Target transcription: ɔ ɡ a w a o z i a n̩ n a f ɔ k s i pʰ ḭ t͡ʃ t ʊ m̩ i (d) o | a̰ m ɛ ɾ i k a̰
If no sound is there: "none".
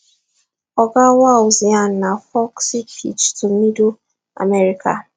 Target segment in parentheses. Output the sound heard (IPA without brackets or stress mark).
d